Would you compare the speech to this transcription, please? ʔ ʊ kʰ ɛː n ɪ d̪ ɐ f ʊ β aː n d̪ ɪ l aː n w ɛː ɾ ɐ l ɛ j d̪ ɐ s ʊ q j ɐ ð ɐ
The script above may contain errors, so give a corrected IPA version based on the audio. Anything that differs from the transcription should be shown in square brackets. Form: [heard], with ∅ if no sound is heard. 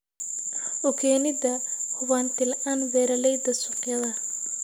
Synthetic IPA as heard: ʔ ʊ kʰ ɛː n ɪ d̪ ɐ [h] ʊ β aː n [t̪] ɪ l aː n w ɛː ɾ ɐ l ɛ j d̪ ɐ s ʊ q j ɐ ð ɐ